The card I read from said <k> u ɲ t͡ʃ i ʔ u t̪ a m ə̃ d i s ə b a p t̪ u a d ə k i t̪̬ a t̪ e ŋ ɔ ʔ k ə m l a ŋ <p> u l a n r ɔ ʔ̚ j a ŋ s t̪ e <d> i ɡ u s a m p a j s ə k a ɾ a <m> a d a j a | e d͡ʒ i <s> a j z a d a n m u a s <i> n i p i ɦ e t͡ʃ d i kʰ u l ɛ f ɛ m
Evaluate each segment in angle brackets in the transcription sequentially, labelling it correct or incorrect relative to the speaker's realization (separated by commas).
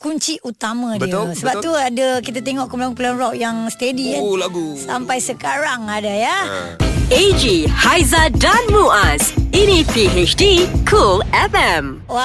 correct, correct, correct, incorrect, incorrect, correct